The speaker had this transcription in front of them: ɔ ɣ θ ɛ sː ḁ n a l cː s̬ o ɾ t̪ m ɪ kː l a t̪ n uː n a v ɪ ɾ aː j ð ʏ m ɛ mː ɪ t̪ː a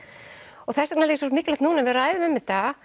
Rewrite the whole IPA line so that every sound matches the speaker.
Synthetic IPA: ɔ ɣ θ ɛ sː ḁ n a l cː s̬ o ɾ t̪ m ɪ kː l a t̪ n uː n a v ɪ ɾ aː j ð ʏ m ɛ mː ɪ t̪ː a